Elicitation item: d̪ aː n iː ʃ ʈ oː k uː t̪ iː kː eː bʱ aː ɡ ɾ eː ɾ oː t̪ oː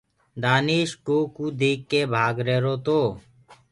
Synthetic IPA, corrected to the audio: d̪ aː n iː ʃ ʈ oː k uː d̪ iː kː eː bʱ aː ɡ ɾ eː ɾ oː t̪ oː